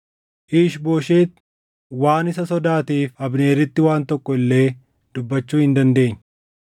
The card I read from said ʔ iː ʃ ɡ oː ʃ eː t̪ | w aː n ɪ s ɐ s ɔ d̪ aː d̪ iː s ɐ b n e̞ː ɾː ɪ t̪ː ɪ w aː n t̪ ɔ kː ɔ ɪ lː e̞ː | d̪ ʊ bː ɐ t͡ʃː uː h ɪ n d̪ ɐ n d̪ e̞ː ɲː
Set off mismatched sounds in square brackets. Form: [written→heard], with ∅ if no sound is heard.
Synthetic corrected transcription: ʔ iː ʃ [ɡ→b] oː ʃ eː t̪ | w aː n ɪ s ɐ s ɔ d̪ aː [d̪→t̪] iː [s→f] ɐ b n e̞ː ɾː ɪ t̪ː ɪ w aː n t̪ ɔ kː ɔ ɪ lː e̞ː | d̪ ʊ bː ɐ t͡ʃː uː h ɪ n d̪ ɐ n d̪ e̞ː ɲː